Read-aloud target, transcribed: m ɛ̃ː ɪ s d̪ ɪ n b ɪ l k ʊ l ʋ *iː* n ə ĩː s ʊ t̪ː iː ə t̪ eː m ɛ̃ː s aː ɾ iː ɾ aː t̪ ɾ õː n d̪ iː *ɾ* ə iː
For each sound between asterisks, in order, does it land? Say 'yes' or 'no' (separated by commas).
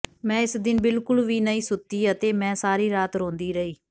yes, yes